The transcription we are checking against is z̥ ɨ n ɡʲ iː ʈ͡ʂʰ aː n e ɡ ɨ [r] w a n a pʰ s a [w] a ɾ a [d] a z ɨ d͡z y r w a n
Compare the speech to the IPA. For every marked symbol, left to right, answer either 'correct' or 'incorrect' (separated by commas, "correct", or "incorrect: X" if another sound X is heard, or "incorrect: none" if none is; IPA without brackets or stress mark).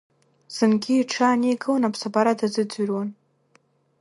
incorrect: none, incorrect: b, correct